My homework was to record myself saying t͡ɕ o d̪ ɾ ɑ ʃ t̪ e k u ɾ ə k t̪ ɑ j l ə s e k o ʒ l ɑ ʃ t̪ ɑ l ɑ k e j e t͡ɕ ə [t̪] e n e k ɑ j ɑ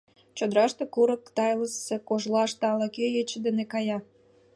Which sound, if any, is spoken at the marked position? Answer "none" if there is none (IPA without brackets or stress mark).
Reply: d̪